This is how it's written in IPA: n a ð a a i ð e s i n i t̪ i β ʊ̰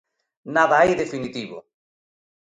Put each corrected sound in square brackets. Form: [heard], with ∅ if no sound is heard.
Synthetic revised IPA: n a ð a a [j] ð e [f] i n i t̪ i β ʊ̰